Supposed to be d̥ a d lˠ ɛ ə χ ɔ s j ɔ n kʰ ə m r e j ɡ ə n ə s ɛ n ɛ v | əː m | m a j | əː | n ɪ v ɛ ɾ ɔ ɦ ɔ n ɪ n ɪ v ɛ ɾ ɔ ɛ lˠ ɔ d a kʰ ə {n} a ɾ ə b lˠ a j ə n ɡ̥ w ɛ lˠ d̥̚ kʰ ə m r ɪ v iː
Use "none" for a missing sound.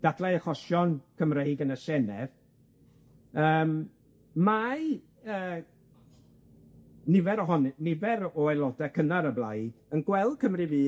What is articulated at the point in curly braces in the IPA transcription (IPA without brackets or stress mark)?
n